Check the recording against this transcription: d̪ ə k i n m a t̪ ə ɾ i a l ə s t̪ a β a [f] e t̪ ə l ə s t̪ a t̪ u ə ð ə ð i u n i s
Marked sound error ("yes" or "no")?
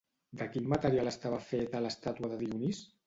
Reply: no